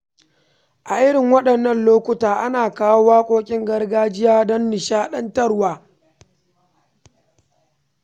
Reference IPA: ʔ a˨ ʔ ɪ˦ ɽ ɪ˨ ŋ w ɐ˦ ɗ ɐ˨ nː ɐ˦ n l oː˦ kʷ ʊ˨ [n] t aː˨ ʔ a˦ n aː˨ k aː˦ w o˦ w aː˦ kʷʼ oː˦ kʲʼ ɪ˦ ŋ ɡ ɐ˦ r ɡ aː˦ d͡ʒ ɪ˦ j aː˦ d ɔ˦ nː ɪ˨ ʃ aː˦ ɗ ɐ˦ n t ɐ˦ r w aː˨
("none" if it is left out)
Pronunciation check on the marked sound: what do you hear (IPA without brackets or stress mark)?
none